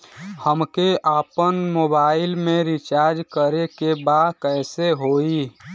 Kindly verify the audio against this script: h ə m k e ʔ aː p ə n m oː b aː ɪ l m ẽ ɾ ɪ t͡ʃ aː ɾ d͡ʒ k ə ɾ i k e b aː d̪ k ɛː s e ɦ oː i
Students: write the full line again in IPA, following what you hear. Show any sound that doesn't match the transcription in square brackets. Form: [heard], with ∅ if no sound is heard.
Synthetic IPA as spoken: h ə m k e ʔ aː p ə n m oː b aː ɪ l m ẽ ɾ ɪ t͡ʃ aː ɾ d͡ʒ k ə ɾ [e] k e b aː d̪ k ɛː s e ɦ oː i